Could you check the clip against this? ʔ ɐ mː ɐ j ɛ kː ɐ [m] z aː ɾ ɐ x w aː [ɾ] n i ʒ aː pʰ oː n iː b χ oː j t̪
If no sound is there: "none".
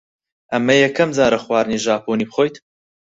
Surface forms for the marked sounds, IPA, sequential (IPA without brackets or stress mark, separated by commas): m, ɾ